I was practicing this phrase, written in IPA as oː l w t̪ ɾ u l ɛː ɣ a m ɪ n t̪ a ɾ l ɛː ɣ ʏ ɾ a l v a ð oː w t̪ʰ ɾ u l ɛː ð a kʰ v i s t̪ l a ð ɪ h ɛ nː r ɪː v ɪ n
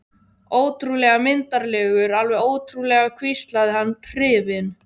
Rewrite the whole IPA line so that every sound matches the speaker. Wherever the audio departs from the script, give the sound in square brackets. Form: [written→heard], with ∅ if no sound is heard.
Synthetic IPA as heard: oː [l→∅] w t̪ ɾ u l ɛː ɣ a m ɪ n t̪ a ɾ l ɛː ɣ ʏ ɾ a l v [a→ɛ] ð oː w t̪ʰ ɾ u l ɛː [ð→ɣ] a kʰ v i s t̪ l a ð ɪ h [ɛ→a] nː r ɪː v ɪ n